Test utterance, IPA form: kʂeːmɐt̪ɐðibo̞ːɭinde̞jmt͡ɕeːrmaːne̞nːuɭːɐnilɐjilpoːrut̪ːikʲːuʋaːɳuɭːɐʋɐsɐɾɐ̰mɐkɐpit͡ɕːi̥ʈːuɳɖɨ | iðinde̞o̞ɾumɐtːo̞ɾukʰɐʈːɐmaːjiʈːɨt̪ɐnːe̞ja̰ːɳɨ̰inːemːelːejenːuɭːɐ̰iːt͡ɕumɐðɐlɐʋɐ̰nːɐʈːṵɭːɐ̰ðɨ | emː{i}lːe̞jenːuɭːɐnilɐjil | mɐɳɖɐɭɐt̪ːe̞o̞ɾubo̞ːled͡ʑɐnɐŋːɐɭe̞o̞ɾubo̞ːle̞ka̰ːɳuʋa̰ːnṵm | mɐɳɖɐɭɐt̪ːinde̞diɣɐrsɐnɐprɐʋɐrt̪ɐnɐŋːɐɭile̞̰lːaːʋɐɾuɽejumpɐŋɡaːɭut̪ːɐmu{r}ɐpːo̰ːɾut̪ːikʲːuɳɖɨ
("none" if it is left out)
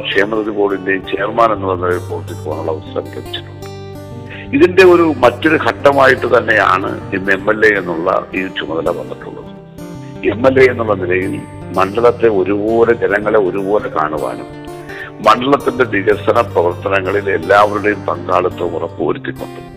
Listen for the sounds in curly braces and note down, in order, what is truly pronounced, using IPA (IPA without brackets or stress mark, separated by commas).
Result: e, r